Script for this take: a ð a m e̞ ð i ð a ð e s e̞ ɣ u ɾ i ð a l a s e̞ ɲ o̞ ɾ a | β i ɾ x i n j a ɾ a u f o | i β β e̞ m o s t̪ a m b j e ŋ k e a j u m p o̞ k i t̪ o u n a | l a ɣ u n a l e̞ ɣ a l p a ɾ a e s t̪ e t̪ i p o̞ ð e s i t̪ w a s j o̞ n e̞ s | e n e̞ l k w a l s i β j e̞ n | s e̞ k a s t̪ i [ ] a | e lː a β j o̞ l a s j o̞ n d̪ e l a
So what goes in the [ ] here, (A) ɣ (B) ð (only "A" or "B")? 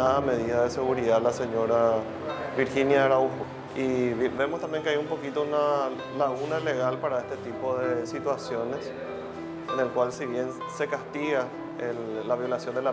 A